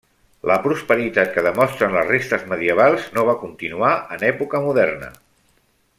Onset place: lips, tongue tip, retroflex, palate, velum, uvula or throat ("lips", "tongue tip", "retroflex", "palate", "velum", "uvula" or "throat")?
tongue tip